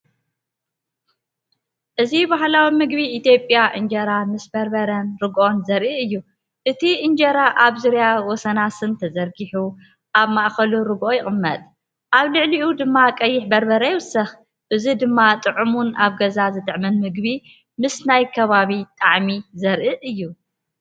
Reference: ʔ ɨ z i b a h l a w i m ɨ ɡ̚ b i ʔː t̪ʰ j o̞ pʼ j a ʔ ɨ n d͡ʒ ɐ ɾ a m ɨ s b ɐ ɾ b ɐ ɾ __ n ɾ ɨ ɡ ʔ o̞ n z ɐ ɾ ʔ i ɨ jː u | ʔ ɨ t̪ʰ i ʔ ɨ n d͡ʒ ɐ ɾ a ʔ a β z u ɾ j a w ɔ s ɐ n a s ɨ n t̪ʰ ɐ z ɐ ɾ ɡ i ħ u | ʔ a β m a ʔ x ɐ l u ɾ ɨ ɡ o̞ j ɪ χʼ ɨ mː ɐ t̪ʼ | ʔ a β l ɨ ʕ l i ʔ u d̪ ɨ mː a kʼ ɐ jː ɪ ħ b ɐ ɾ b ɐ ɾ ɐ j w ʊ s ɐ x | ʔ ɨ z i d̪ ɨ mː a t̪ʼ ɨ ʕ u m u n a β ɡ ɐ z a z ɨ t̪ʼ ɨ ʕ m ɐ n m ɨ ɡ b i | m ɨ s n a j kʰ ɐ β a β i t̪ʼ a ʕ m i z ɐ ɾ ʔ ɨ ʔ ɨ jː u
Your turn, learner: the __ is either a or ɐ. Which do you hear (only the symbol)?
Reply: ɐ